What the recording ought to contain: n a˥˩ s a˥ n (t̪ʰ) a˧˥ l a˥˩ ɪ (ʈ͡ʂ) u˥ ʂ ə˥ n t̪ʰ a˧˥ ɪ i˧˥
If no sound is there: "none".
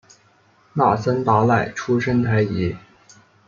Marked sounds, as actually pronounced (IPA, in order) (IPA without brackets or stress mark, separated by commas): t̪, ʈ͡ʂʰ